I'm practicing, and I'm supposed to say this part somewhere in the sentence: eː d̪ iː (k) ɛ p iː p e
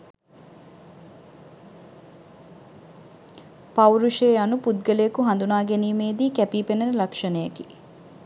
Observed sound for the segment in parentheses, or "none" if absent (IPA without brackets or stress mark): k